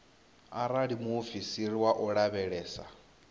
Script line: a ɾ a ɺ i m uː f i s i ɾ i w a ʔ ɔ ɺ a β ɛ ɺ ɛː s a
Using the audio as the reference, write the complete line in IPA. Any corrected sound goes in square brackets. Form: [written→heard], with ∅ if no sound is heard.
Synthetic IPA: a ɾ a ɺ i m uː f i s i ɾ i w a ʔ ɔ ɺ a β ɛ ɺ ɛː s a

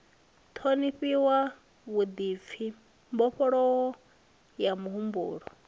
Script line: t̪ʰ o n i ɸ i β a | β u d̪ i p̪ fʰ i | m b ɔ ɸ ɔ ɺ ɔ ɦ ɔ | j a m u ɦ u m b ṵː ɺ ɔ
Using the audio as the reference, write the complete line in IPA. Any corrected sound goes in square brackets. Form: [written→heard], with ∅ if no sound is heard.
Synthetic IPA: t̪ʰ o n i ɸ i [β→w] a | β u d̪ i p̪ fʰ i | m b ɔ ɸ ɔ ɺ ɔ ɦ ɔ | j a m u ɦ u m b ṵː ɺ ɔ

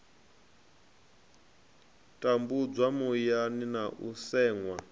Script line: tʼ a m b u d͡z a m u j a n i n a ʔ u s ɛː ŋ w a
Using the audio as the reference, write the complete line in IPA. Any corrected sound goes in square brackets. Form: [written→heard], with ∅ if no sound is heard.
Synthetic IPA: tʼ a m b u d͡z a m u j a n i n a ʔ u s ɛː ŋ w a

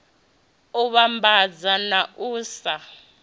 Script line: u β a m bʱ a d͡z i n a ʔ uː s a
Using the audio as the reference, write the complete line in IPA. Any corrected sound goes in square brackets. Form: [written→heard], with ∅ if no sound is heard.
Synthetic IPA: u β a m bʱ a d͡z [i→a] n a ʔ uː s a

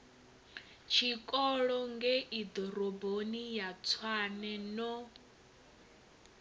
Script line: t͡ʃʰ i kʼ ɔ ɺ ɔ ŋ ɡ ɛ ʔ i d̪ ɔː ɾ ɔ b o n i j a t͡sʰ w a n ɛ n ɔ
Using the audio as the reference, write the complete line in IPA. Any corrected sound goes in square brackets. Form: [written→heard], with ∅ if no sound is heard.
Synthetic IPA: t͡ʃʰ i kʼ ɔ ɺ ɔ ŋ ɡ ɛ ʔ i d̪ [ɔː→ɔ] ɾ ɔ b o n i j a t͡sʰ w a n ɛ n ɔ

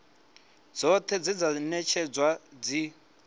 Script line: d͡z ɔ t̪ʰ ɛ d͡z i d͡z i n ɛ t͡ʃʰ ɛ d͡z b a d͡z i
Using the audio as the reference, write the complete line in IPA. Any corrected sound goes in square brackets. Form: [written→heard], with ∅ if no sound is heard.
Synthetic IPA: d͡z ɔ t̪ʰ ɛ d͡z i d͡z [i→a] n ɛ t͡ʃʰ ɛ d͡z [b→w] a d͡z i

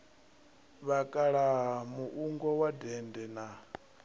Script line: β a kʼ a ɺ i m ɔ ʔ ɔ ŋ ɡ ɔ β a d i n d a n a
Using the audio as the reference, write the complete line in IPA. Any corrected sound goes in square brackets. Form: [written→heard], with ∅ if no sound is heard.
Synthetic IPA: β a kʼ a ɺ [i→a] m [ɔ→u] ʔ [ɔ→u] ŋ ɡ ɔ [β→w] a d [i→ɛ] n d [a→ɛ] n a

